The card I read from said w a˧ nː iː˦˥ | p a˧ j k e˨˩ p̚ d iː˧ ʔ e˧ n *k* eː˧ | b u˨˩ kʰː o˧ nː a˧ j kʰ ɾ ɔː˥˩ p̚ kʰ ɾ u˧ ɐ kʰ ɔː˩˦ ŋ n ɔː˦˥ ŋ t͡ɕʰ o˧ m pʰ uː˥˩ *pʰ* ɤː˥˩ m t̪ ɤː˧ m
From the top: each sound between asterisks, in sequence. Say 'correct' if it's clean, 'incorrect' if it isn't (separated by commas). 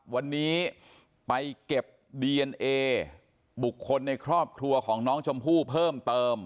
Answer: incorrect, correct